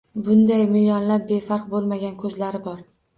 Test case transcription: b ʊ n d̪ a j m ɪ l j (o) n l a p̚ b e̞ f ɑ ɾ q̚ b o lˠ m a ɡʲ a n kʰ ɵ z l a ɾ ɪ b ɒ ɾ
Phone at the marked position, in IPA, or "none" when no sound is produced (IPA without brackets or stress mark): ɒ